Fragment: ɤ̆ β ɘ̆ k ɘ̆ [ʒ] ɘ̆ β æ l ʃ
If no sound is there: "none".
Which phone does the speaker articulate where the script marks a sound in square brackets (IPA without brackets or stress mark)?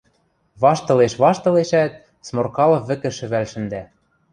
ʃ